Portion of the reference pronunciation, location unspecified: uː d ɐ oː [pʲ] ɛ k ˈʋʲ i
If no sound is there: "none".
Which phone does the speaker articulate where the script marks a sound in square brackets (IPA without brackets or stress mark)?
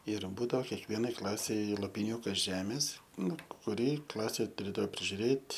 kʲ